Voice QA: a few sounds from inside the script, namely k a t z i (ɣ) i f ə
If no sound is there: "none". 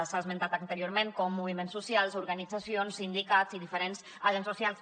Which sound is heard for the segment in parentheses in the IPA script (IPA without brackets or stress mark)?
ð